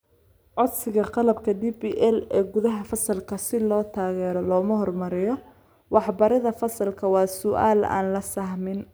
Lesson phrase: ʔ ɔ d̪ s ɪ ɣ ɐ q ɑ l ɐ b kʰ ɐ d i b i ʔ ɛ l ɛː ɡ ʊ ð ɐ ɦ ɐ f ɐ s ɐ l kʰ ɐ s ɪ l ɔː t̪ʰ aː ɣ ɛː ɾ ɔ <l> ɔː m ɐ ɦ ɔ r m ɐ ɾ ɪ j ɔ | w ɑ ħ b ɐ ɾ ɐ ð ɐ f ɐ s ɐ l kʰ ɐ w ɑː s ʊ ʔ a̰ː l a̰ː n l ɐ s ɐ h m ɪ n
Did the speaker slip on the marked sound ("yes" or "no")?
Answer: no